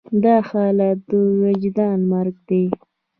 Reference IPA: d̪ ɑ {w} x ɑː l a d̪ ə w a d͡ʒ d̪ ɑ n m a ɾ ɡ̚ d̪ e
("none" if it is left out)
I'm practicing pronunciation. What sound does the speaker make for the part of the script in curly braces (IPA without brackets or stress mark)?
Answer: none